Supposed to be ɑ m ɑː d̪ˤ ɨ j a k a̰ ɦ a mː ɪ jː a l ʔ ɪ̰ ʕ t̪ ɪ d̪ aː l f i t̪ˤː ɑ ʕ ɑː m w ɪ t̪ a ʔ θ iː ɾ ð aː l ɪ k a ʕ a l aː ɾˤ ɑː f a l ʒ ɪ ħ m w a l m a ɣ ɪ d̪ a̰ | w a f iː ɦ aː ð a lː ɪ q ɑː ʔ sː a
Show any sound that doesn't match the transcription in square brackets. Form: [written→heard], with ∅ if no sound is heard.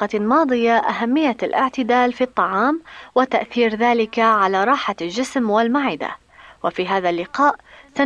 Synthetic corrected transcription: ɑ m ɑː d̪ˤ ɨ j a [k→ʔ] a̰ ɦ a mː ɪ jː a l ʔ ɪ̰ ʕ t̪ ɪ d̪ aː l f i t̪ˤː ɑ ʕ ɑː m w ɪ t̪ a ʔ θ iː ɾ ð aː l ɪ k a ʕ a l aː ɾˤ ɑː [f→ħ] a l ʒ ɪ [ħ→s] m w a l m a [ɣ→ʕ] ɪ d̪ a̰ | w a f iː ɦ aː ð a lː ɪ q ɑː ʔ [sː→s] a